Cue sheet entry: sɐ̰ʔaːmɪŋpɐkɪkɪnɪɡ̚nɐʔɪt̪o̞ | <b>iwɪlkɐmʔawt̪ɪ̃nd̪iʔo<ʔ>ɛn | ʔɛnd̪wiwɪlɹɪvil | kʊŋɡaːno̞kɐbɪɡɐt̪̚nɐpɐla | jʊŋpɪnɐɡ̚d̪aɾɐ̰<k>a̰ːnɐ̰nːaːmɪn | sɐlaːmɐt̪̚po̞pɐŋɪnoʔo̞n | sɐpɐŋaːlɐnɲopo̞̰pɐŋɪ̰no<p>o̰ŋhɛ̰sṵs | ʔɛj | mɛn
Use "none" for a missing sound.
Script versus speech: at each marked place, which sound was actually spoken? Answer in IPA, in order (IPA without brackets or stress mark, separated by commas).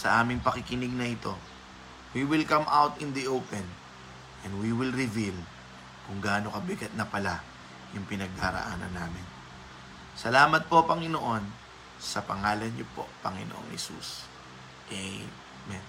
w, p, ʔ, ʔ